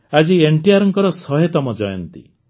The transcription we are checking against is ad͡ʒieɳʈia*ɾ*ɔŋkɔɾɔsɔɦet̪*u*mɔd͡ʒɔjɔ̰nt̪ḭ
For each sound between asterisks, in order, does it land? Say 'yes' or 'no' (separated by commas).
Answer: yes, no